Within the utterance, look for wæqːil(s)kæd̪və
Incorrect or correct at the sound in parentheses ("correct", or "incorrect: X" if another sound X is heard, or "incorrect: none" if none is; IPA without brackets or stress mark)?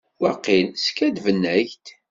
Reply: correct